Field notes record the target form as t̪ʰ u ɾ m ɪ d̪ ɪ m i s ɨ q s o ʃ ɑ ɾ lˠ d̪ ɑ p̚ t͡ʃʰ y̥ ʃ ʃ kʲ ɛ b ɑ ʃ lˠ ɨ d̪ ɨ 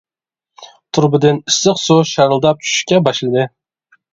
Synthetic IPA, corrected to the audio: t̪ʰ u ɾ b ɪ d̪ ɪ n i s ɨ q s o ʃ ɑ ɾ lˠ d̪ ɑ p̚ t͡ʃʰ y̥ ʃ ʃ kʲ ɛ b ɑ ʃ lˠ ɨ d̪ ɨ